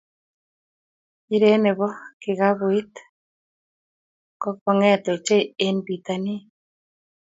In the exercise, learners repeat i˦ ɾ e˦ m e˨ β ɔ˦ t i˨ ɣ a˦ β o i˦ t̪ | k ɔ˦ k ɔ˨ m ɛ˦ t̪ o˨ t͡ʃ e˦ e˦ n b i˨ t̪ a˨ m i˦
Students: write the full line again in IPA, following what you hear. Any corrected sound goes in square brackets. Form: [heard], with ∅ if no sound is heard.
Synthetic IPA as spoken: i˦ ɾ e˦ [n] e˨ β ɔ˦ [k] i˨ ɣ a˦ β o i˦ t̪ | k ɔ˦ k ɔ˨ [ŋ] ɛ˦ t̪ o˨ t͡ʃ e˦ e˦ n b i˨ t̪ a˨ [n] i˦